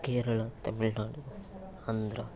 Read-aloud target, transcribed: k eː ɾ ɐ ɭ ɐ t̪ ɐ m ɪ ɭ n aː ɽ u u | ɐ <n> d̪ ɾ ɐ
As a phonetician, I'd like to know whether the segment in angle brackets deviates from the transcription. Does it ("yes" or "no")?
no